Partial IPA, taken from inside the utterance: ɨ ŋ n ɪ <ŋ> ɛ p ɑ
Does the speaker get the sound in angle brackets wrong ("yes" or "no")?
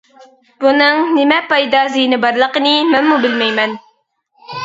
yes